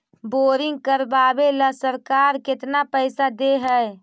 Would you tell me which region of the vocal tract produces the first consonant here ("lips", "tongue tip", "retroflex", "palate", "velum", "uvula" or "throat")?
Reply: lips